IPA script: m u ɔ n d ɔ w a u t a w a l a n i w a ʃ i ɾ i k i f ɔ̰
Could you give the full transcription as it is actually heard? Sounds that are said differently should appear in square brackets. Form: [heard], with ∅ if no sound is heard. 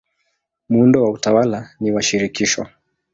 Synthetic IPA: m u [u] n d ɔ w a u t a w a l a n i w a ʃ i ɾ i k i [ʃ] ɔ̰